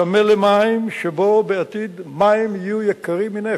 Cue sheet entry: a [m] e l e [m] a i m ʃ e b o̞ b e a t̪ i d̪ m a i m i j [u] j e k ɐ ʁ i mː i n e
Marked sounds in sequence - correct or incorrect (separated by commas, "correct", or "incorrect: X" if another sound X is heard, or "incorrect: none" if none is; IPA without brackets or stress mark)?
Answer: correct, correct, correct